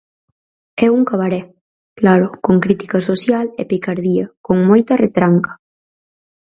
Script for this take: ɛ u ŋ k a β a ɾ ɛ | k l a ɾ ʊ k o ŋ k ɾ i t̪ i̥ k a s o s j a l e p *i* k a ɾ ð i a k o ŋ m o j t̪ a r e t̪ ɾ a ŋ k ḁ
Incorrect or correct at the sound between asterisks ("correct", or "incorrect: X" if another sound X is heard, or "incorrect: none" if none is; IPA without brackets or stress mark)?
correct